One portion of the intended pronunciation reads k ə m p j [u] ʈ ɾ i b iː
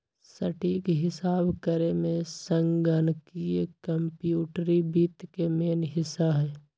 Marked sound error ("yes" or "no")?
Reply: yes